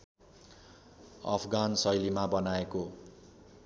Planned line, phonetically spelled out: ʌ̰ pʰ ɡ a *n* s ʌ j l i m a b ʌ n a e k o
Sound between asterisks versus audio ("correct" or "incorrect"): correct